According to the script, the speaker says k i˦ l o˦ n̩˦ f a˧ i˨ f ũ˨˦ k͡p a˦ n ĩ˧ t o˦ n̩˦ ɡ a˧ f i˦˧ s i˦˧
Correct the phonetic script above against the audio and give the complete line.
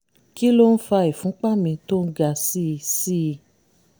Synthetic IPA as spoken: k i˦ l o˦ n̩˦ f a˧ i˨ f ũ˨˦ k͡p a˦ m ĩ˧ t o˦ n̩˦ ɡ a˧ s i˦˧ s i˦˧